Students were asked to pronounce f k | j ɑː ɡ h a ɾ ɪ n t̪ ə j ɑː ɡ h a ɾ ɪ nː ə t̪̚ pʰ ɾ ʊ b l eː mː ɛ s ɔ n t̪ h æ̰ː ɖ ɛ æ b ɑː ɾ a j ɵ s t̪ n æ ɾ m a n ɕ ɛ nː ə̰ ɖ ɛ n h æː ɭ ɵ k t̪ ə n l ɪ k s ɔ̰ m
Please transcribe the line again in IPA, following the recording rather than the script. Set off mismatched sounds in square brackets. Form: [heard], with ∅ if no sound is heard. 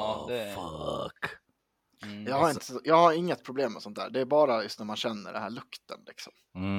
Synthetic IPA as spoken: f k | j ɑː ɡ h a ɾ ɪ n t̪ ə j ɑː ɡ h a ɾ ɪ [ŋː] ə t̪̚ pʰ ɾ ʊ b l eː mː ɛ s ɔ n t̪ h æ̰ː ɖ ɛ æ b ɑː ɾ a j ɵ s t̪ n æ ɾ m a n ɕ ɛ nː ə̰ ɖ ɛ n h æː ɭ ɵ k t̪ ə n l ɪ k s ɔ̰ m